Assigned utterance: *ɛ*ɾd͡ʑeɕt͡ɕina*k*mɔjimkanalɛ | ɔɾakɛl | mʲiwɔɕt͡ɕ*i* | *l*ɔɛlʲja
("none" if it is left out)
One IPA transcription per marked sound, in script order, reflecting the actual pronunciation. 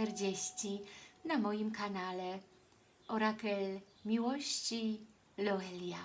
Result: ɛ, none, i, l

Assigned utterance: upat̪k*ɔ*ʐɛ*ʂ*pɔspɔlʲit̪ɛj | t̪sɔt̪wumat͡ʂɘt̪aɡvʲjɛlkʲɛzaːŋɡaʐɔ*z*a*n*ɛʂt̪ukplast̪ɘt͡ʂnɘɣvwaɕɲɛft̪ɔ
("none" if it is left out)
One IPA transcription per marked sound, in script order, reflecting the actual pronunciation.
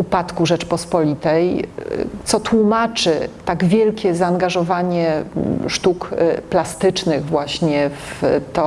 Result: u, t͡ʂ, v, ɲ

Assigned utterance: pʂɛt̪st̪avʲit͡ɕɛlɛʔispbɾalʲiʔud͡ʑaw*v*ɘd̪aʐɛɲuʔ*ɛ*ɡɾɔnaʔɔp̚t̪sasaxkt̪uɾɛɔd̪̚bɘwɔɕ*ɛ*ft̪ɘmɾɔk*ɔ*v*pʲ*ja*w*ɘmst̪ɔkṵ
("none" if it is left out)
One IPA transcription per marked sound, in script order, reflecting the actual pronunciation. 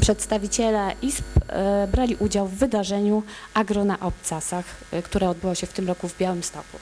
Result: vː, a, ɛ, u, bʲ, w

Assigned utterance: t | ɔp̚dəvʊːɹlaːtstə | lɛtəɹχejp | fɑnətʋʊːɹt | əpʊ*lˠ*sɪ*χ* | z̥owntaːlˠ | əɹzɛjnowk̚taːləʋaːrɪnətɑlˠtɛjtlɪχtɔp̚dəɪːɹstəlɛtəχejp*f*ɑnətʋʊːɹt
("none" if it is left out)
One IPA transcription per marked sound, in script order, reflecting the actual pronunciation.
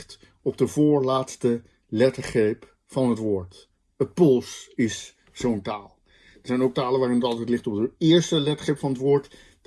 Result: lˠ, s, f

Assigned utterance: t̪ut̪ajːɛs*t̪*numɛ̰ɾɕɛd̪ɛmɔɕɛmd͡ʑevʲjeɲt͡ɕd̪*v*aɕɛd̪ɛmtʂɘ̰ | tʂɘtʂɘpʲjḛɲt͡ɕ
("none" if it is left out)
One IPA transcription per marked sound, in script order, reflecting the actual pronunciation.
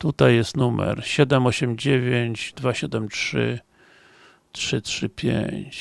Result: t̪, v

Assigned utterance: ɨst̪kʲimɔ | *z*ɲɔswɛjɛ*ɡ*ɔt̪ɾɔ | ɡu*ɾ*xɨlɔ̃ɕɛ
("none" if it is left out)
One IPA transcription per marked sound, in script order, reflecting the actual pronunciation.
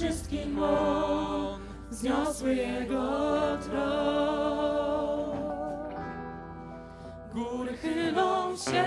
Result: z, ɡ, ɾ

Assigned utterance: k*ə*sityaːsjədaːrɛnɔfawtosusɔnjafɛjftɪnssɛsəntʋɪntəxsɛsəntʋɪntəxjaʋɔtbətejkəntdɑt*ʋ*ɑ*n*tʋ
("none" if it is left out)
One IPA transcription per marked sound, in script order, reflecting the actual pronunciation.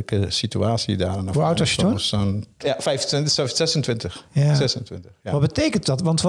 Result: ə, ʋ, n

